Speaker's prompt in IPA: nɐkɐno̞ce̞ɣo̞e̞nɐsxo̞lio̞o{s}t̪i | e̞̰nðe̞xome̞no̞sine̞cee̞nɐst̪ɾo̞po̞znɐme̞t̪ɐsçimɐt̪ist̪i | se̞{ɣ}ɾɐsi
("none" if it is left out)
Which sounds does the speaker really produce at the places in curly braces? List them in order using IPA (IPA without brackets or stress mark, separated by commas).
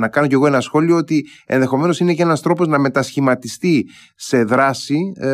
none, ð